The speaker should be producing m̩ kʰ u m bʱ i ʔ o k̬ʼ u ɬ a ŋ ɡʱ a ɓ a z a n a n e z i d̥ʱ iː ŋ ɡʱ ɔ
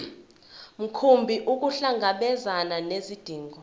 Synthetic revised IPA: m̩ kʰ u m bʱ i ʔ u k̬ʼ u ɬ a ŋ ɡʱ a ɓ ɛ z a n a n e z i d̥ʱ iː ŋ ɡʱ ɔ